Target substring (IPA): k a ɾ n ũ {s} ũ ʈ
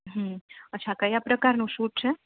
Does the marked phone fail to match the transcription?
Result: yes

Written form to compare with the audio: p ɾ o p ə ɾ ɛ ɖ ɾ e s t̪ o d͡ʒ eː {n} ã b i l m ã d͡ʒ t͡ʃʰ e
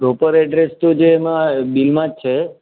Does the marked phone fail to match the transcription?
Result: yes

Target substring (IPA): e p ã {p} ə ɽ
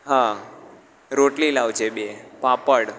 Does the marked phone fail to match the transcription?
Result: no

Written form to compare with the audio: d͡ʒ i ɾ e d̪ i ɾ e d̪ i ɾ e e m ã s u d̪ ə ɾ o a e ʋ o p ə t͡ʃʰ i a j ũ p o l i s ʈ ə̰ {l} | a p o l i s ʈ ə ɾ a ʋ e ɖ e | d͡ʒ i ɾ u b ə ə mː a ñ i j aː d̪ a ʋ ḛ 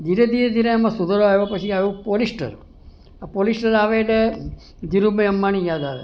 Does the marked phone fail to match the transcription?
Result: yes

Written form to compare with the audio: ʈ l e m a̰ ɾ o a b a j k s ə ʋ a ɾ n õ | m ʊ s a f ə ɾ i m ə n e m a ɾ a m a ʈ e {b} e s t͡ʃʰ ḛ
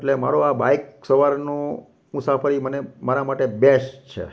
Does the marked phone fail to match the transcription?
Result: no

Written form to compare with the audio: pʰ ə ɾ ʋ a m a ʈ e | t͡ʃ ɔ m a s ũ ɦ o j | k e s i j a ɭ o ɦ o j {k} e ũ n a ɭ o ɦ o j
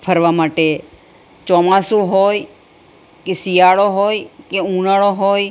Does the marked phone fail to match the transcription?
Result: no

